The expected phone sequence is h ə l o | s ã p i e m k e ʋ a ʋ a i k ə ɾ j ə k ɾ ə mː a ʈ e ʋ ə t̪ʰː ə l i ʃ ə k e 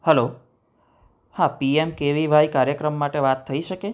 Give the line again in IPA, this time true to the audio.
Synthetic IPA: h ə l o | h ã p i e m k e ʋ i ʋ a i k a ɾ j ə k ɾ ə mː a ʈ e ʋ a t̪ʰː ə i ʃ ə k e